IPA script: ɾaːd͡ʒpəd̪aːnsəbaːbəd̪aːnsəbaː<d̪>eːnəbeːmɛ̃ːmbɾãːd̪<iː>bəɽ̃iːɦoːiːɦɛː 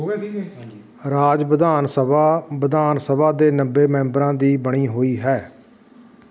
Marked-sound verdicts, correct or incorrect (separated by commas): correct, correct